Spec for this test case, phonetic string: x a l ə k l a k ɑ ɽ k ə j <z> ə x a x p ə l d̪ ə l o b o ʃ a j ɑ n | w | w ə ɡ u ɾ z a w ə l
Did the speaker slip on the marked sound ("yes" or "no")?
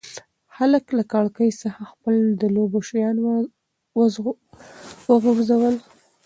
yes